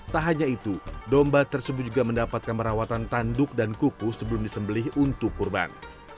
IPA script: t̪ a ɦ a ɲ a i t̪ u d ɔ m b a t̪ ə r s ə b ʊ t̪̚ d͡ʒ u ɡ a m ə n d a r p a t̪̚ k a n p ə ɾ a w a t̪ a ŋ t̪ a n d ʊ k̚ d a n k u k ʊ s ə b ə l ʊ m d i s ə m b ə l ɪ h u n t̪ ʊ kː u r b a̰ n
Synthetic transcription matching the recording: t̪ a ɦ a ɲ a i t̪ u d ɔ m b a t̪ ə r s ə b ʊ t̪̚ d͡ʒ u ɡ a m ə n d a p a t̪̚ k a n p ə ɾ a w a t̪ a n t̪ a n d ʊ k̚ d a n k u k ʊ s ə b ə l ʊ m d i s ə m b ə l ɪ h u n t̪ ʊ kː u r b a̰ n